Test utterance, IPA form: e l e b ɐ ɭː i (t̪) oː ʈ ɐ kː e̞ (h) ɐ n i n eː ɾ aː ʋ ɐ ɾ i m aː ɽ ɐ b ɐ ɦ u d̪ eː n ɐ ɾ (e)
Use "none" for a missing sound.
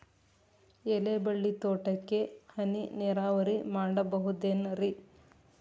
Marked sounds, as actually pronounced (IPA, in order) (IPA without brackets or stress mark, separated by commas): t̪, h, i